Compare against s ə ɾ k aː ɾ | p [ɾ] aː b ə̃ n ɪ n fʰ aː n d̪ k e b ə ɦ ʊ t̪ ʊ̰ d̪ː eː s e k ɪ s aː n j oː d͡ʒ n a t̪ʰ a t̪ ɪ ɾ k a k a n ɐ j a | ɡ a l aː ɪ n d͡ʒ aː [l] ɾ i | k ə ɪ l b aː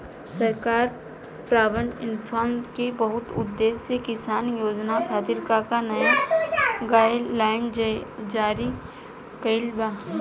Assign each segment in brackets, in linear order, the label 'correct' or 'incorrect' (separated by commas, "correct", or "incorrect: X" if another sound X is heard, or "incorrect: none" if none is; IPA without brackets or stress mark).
correct, incorrect: none